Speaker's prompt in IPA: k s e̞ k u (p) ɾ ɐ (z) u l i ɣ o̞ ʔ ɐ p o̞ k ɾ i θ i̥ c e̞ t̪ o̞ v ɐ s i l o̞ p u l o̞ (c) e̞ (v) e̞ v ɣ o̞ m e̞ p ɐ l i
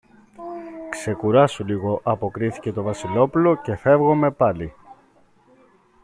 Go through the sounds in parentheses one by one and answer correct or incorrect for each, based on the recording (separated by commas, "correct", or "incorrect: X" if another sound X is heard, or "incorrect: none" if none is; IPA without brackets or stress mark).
incorrect: none, incorrect: s, correct, incorrect: f